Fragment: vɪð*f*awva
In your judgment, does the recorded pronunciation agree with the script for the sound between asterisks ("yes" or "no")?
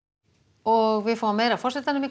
yes